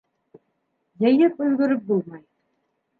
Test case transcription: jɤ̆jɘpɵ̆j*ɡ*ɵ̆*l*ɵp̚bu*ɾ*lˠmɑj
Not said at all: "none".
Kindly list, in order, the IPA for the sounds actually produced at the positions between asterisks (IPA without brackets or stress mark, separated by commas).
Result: ɡ, ɾ, none